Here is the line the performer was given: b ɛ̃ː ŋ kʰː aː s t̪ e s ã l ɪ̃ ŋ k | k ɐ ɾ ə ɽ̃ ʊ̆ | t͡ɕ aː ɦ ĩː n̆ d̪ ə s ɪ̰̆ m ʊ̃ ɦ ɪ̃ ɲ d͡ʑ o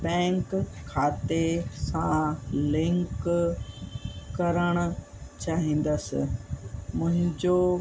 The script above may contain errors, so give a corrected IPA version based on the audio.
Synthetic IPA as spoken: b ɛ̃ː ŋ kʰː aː t̪ e s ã l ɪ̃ ŋ k | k ɐ ɾ ə ɽ̃ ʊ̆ | t͡ɕ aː ɦ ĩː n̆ d̪ ə s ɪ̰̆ m ʊ̃ ɦ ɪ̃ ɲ d͡ʑ o